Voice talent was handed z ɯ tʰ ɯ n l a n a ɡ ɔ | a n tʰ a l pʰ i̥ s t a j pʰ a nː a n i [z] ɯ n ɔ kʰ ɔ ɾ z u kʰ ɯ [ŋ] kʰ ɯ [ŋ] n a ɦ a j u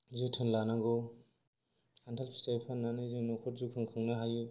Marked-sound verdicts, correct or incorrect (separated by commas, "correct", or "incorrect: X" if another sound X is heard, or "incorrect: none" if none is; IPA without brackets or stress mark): correct, correct, correct